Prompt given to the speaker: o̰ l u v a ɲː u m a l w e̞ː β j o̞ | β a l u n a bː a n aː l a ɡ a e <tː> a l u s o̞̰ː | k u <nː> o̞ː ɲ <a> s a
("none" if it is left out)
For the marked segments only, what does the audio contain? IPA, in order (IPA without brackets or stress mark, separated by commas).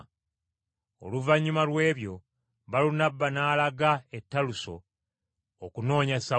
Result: tː, n, a